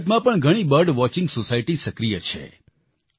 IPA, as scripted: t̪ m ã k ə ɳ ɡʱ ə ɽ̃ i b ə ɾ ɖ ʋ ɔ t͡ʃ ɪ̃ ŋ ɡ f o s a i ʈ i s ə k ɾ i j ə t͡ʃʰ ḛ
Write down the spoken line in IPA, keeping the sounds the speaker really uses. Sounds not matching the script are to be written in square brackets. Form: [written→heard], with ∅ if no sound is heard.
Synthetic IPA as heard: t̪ m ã [k→p] ə ɳ ɡʱ ə ɽ̃ i b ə ɾ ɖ ʋ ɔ t͡ʃ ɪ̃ ŋ ɡ [f→s] o s a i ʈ i s ə k ɾ i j ə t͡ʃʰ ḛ